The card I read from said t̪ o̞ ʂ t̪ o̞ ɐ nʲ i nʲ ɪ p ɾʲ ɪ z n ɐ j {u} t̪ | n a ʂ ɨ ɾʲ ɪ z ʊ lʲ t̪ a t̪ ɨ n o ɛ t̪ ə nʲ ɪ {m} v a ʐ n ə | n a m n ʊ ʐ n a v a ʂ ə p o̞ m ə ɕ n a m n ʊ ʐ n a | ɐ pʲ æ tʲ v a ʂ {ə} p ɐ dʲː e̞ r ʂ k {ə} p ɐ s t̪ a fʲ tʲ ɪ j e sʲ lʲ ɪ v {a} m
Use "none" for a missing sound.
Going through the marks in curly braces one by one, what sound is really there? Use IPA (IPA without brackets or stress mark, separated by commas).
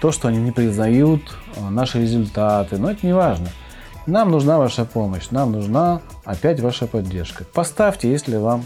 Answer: u, none, ə, ə, a